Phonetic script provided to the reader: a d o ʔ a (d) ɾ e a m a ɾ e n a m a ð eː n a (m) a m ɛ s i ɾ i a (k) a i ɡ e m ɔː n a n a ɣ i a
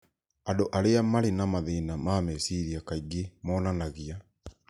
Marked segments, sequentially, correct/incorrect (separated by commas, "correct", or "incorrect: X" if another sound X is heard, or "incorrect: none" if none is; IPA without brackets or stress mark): incorrect: none, correct, correct